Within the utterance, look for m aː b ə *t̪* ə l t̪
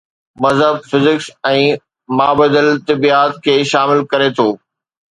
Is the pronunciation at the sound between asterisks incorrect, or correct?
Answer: incorrect: d̪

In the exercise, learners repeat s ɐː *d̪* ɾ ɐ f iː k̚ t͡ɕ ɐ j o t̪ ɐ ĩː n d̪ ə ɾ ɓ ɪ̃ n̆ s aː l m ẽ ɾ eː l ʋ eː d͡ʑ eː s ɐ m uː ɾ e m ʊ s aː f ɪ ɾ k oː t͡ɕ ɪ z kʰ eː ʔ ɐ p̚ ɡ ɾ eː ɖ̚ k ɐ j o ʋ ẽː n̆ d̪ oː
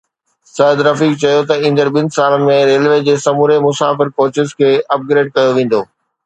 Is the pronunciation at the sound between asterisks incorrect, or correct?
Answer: correct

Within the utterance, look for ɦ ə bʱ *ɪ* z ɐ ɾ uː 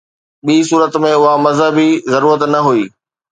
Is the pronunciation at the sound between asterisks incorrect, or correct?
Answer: incorrect: i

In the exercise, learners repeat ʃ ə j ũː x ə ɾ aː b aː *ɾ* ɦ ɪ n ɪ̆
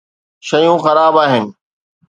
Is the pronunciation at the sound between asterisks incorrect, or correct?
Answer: incorrect: none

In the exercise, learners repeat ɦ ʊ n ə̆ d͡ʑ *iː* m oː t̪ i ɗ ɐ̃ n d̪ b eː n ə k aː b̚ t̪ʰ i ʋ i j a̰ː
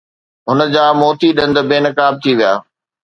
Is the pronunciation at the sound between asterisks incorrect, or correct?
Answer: incorrect: aː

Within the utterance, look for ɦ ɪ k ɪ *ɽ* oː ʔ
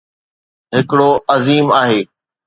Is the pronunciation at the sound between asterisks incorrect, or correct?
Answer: correct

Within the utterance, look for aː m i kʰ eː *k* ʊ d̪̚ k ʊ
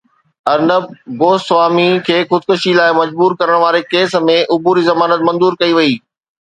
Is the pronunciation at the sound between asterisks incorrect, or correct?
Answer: incorrect: x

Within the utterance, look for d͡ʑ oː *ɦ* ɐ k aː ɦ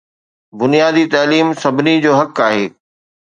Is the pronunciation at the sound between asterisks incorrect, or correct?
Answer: correct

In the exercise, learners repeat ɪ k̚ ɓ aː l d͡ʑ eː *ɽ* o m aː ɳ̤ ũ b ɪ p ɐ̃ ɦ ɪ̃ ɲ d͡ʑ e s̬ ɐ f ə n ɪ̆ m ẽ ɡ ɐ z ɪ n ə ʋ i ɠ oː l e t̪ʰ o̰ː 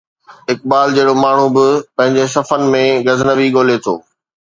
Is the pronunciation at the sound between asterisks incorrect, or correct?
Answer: correct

